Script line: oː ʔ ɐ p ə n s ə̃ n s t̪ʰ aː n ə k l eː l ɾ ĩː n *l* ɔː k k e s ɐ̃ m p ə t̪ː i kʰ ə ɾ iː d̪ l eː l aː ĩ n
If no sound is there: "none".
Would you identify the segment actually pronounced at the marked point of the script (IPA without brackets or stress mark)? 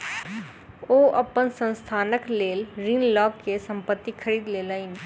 l